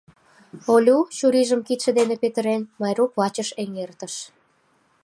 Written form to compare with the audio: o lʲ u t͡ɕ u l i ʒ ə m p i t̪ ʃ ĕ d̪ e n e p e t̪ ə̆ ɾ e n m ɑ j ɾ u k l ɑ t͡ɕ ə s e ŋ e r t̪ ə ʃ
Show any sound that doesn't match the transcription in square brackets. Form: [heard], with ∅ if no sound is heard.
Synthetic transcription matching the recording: o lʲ u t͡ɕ u [ɾ] i ʒ ə m [k] i t̪ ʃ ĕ d̪ e n e p e t̪ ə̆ ɾ e n m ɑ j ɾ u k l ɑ t͡ɕ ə [ʃ] e ŋ e r t̪ ə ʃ